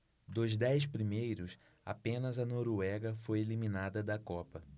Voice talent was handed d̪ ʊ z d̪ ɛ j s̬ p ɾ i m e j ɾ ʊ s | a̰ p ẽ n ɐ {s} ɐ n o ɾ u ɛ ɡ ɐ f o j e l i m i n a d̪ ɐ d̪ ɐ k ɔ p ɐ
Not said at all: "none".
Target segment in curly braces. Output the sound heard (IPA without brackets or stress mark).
z